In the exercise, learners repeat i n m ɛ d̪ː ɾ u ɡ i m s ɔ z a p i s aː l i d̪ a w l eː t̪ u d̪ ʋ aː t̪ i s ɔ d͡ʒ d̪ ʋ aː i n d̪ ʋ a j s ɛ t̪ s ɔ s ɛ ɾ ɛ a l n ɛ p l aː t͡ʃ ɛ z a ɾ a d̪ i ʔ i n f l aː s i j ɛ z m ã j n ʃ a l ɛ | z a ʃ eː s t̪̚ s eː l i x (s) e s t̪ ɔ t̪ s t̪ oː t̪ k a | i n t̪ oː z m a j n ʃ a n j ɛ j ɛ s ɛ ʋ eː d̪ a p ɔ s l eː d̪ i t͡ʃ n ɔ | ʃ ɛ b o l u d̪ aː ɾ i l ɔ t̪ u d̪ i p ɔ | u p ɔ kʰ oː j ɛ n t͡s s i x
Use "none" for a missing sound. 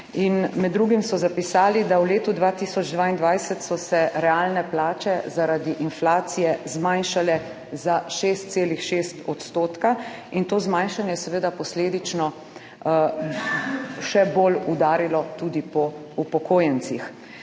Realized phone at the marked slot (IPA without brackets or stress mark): ʃ